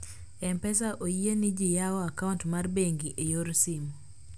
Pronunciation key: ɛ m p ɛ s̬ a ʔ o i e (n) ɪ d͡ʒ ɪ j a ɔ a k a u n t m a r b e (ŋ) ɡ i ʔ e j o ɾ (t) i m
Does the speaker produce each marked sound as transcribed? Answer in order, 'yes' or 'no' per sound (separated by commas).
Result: yes, yes, no